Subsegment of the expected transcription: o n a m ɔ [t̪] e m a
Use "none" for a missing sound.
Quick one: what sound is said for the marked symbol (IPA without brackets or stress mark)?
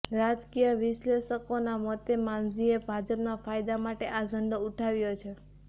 t̪